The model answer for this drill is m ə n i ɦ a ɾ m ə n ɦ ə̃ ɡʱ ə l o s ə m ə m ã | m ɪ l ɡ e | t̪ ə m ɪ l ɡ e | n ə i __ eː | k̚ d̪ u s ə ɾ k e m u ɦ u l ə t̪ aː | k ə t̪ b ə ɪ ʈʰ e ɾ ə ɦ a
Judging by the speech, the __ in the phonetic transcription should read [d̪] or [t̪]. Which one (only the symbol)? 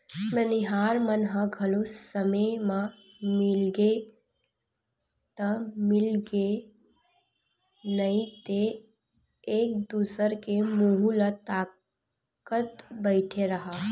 t̪